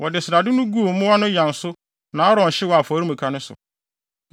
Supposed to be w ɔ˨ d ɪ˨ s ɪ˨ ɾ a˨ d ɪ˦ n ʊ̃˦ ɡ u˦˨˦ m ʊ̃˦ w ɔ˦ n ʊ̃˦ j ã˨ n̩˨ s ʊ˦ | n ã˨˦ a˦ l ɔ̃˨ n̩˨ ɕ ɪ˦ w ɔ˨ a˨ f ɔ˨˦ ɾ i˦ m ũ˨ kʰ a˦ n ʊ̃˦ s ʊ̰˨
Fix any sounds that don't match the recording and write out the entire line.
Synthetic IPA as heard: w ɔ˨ d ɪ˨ s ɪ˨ ɾ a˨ d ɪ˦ n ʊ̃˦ ɡ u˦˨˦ m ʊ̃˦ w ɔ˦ n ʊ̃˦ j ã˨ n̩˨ s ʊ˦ | n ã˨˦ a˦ ɾ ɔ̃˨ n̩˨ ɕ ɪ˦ w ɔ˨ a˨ f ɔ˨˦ ɾ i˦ m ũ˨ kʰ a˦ n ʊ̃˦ s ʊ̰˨